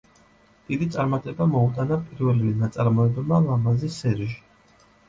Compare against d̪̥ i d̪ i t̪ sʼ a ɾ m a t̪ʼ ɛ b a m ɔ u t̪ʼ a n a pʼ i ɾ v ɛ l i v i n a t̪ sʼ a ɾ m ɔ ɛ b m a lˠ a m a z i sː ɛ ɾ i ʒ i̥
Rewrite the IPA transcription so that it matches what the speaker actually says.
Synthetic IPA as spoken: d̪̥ i d̪ i t̪ sʼ a ɾ m a t̪ʼ ɛ b a m ɔ u t̪ʼ a n a pʼ i ɾ v ɛ l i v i n a t̪ sʼ a ɾ m ɔ ɛ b m a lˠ a m a z i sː ɛ ɾ i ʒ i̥